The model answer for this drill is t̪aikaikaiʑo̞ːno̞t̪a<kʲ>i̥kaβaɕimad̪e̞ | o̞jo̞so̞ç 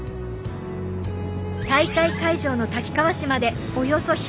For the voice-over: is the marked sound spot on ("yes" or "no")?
yes